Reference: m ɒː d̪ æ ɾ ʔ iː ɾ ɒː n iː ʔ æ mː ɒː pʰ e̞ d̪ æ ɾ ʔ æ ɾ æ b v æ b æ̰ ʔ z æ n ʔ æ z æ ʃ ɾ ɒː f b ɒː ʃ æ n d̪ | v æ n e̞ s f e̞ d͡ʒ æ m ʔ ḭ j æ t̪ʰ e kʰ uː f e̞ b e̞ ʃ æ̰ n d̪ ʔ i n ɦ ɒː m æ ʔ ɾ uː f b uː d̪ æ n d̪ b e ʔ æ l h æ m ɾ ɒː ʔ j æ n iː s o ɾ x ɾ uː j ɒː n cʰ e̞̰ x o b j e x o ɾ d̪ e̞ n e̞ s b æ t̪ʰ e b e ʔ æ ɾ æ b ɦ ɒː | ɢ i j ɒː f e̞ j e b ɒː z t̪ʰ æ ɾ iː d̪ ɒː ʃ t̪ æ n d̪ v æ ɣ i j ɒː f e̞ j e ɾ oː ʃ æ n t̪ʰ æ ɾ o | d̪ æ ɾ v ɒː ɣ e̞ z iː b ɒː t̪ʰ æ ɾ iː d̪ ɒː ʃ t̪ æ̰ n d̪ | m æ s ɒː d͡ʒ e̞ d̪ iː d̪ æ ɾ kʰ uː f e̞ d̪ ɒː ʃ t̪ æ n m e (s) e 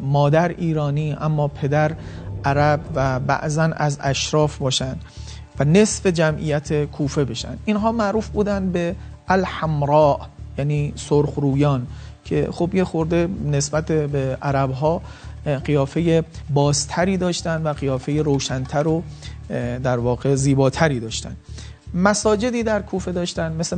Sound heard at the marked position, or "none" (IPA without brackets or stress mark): s